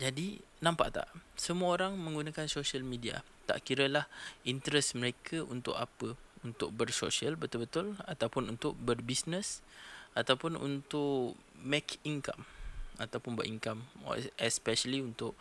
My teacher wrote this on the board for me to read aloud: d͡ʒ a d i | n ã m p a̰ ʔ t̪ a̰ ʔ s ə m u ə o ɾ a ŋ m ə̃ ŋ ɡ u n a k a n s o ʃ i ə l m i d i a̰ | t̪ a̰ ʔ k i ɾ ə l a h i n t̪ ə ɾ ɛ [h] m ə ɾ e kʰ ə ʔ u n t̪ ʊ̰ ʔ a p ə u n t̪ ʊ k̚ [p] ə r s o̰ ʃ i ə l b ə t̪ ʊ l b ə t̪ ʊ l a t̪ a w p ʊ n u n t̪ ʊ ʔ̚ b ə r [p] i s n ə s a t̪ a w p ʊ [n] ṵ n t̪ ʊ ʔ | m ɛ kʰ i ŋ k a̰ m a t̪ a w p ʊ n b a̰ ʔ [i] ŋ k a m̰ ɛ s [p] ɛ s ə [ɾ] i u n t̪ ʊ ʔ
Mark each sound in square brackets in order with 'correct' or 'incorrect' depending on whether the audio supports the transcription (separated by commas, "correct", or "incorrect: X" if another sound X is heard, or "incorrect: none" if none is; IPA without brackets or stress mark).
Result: incorrect: s, incorrect: b, incorrect: b, correct, correct, correct, incorrect: l